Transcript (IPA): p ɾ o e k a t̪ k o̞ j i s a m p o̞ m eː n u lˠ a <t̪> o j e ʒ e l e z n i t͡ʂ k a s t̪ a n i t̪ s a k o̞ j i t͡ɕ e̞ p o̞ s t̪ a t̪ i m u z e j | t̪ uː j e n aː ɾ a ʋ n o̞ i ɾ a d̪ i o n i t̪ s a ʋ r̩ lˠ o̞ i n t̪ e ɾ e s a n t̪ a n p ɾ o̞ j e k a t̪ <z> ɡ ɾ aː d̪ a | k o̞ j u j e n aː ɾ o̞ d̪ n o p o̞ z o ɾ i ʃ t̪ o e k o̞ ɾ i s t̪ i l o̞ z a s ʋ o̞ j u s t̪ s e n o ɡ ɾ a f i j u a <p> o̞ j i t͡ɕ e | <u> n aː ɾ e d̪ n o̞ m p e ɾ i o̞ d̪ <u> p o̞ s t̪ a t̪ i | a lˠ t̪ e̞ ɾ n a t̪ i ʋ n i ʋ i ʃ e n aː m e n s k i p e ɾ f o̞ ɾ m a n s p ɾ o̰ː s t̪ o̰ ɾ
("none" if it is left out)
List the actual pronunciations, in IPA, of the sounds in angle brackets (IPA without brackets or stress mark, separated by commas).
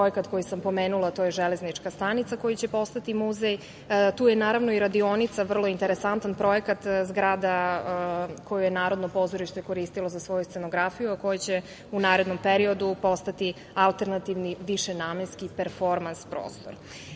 t̪, z, k, u, u